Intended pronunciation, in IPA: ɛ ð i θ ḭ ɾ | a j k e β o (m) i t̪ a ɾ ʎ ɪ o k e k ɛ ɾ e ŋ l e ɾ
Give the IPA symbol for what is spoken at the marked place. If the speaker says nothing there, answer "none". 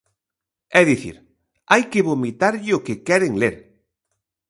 m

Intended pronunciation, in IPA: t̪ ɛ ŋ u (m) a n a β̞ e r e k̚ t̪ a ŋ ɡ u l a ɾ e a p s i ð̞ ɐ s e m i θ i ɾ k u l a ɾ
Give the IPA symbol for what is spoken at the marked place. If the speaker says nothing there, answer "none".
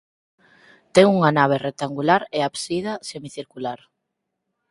ŋ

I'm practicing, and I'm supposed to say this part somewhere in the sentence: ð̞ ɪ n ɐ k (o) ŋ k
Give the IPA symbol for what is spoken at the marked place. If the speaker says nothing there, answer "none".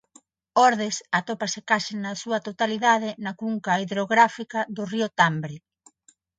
u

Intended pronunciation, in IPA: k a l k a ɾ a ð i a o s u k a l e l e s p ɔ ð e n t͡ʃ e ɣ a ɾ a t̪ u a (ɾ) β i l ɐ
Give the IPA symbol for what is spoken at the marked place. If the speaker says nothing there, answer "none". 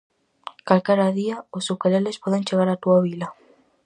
none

